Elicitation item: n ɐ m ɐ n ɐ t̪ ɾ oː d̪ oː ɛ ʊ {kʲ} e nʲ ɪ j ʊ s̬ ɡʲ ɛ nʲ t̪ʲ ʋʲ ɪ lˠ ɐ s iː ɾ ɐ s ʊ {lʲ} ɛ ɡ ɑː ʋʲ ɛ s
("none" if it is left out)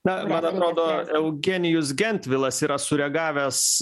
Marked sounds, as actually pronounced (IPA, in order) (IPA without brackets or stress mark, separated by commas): ɡʲ, ɾʲ